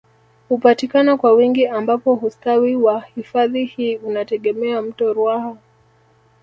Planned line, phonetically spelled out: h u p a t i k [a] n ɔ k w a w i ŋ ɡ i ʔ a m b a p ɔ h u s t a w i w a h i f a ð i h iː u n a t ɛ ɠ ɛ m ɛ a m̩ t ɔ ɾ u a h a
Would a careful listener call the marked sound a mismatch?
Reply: no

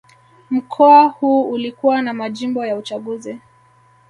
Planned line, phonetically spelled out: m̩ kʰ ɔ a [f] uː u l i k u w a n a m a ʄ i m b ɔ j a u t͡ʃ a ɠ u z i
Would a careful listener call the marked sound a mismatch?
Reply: yes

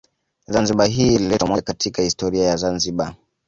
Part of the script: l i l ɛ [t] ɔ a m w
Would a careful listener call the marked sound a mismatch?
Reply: no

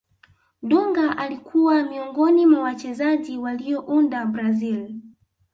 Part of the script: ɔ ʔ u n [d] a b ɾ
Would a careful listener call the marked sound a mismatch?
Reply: no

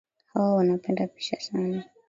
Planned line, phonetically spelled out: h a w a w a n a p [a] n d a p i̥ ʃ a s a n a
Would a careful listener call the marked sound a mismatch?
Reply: yes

